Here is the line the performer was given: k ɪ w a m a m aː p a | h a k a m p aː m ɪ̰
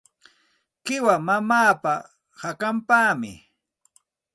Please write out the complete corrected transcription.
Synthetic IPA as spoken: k ɪ w a m a m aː p a | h a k a m p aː m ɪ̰